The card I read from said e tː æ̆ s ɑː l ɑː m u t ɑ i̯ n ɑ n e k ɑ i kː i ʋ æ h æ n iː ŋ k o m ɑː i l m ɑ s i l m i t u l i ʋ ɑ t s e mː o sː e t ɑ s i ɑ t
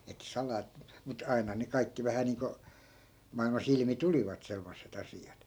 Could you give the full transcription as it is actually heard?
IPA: e tː æ̆ s ɑ l ɑː m u t ɑ i̯ n ɑ n e k ɑ i kː i ʋ æ h æ n iː ŋ k o m ɑ i l m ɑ s i l m i t u l i ʋ ɑ t s e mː o sː e t ɑ s i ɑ t